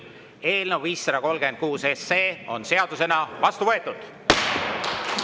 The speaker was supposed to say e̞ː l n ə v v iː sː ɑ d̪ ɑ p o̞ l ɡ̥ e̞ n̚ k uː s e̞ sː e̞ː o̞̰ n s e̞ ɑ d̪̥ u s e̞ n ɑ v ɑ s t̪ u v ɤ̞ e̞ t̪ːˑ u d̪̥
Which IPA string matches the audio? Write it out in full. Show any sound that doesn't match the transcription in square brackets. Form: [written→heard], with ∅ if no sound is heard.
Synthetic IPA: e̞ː l n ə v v iː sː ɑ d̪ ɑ [p→k] o̞ l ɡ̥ e̞ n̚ k uː s e̞ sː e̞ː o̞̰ n s e̞ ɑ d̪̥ u s e̞ n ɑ v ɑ s t̪ u v ɤ̞ e̞ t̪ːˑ u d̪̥